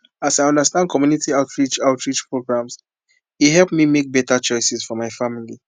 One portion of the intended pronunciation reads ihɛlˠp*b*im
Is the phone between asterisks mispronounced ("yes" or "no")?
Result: yes